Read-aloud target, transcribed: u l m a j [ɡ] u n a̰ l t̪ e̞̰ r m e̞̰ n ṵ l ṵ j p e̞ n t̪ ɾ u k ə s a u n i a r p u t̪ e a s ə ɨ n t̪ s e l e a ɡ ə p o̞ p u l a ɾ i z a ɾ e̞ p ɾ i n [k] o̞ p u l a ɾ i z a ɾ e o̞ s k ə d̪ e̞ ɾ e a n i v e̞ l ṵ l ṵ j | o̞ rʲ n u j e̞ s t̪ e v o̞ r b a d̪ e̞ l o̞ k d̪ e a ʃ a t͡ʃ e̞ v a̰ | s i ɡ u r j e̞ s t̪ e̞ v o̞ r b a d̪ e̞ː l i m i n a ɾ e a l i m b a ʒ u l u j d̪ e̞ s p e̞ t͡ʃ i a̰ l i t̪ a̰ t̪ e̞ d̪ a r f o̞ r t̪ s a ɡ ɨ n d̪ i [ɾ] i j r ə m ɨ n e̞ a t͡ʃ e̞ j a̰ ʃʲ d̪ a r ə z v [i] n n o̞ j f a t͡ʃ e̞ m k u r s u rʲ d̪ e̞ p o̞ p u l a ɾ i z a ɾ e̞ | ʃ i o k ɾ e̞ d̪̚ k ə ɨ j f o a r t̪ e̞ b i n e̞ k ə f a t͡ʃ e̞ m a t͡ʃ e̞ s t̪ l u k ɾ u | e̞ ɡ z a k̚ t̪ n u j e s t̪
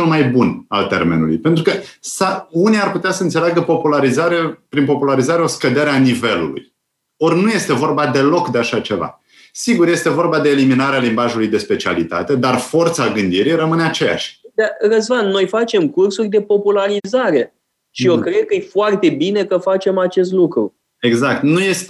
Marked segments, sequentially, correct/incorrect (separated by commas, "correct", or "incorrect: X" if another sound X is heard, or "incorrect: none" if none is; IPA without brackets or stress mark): incorrect: b, incorrect: p, correct, incorrect: a